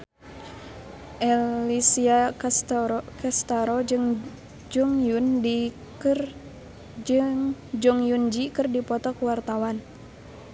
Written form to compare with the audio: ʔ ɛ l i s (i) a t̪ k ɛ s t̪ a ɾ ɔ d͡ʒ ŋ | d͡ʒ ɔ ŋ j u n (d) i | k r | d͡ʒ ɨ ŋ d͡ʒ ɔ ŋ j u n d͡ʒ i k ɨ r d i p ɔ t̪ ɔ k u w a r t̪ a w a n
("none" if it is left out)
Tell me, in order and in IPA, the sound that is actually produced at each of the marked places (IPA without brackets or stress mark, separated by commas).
i, d